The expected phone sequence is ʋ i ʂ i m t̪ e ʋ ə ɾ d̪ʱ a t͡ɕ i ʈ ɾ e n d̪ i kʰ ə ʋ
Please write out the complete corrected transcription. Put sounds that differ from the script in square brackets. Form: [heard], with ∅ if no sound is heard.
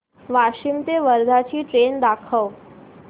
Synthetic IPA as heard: ʋ [a] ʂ i m t̪ e ʋ ə ɾ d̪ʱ a t͡ɕ [iː] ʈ ɾ e n d̪ [a] kʰ ə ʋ